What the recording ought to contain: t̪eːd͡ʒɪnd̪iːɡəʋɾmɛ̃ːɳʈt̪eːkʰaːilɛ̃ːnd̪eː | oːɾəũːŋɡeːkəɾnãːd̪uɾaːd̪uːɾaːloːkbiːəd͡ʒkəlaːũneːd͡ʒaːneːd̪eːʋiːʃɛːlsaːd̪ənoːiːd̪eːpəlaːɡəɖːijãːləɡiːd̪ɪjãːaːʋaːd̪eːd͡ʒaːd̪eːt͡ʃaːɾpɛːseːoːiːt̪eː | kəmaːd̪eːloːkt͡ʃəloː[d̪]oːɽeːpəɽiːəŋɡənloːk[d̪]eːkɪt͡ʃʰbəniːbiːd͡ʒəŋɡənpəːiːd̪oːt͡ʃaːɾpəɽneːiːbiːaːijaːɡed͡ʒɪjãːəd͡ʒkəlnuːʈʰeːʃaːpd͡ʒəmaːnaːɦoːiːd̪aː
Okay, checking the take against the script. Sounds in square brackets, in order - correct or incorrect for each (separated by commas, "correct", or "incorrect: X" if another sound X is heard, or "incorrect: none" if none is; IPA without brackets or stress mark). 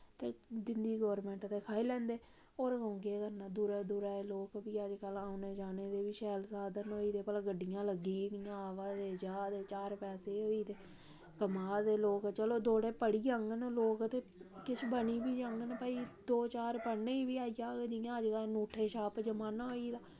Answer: correct, incorrect: t̪